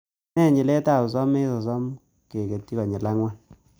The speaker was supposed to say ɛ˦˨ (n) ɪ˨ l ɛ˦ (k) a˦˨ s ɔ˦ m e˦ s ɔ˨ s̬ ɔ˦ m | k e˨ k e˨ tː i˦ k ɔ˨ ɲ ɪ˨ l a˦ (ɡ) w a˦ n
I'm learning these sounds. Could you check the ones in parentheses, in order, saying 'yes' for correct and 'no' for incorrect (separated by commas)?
no, no, no